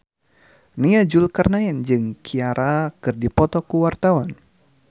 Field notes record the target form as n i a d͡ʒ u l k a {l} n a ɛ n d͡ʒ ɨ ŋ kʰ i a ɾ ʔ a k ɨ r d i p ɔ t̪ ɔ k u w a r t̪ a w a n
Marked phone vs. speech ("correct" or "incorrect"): incorrect